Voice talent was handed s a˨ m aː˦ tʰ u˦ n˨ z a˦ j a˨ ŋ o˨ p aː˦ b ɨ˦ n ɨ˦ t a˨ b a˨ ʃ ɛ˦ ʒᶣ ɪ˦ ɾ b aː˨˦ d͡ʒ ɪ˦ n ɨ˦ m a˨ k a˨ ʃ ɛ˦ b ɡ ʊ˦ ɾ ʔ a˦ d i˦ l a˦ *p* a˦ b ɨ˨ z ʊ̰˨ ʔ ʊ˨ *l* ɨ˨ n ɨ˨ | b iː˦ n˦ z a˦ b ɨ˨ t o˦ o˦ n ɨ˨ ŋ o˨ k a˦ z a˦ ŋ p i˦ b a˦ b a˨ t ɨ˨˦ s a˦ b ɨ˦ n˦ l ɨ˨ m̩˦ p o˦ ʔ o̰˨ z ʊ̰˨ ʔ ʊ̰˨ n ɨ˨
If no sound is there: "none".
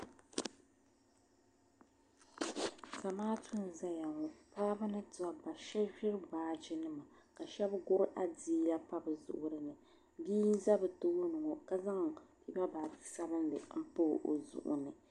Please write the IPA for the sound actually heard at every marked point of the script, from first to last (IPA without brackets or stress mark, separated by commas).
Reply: p, ɾ